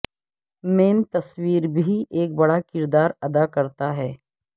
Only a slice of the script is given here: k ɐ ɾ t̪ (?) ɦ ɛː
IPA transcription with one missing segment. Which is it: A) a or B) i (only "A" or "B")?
A